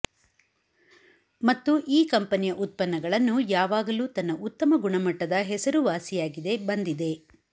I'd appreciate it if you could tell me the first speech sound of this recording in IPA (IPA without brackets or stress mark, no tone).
m